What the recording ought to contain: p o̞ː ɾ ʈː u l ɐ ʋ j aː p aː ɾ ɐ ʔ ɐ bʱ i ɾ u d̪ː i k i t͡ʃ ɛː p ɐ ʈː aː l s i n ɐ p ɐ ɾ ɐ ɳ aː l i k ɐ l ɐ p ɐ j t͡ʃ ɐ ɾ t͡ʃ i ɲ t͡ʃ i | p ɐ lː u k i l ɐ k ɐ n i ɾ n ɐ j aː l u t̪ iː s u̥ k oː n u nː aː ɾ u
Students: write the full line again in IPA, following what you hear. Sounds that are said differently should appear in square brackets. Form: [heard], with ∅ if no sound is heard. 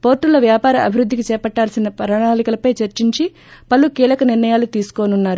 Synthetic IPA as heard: p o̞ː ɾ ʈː u l ɐ ʋ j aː p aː ɾ ɐ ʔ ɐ bʱ i ɾ u d̪ː i k i t͡ʃ ɛː p ɐ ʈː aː l s i n ɐ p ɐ ɾ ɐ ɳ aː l i k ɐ l ɐ p ɐ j t͡ʃ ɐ ɾ t͡ʃ i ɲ t͡ʃ i | p ɐ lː u k [iː] l ɐ k ɐ n i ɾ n ɐ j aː l u t̪ iː s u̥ k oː n u nː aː ɾ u